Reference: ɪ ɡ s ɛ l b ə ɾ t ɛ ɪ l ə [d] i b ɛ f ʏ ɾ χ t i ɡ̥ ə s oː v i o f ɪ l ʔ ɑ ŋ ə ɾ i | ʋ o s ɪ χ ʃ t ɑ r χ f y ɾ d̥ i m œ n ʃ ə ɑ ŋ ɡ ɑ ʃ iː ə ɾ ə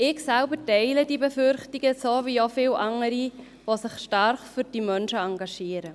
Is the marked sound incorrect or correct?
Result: correct